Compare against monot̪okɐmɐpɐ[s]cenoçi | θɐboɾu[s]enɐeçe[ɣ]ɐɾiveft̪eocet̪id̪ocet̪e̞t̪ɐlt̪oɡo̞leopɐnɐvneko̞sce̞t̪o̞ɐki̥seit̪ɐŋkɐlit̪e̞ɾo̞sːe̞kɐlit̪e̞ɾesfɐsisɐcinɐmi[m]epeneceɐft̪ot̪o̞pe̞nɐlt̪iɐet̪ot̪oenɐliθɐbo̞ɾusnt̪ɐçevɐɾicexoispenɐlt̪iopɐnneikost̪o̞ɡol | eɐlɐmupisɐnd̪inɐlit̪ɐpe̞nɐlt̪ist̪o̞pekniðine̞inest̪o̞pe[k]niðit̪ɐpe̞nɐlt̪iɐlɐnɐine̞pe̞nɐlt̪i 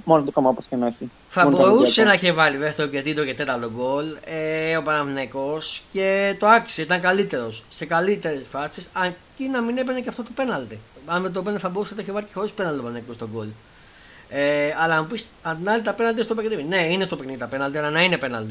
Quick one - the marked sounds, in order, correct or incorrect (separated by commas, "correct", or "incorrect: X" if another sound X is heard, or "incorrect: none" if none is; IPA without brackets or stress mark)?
correct, correct, incorrect: v, incorrect: n, correct